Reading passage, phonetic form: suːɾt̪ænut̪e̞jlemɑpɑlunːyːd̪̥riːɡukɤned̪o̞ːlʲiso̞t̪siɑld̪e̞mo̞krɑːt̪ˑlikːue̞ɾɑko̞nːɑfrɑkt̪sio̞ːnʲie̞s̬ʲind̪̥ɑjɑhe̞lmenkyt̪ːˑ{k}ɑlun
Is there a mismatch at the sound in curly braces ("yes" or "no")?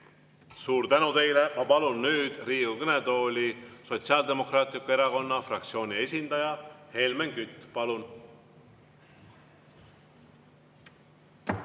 yes